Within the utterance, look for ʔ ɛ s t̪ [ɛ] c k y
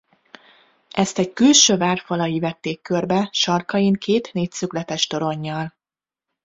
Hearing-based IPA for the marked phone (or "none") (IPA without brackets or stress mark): ɛ